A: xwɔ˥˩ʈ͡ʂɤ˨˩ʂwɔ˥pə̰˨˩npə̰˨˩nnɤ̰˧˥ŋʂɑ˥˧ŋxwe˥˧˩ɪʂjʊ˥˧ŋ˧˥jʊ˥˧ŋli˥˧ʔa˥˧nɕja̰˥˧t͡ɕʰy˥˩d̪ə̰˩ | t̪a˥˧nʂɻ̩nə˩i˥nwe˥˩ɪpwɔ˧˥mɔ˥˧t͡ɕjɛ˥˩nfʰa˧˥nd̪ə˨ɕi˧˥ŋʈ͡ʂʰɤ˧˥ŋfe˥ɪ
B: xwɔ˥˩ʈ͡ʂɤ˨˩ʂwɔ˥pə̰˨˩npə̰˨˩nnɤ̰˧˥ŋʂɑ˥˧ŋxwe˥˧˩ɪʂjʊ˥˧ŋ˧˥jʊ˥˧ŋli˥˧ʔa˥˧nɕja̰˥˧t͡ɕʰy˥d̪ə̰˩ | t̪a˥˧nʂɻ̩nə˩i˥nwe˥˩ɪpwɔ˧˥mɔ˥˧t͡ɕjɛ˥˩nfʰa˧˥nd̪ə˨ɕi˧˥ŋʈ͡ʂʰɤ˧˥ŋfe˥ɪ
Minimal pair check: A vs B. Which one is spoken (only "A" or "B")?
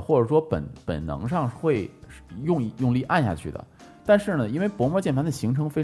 A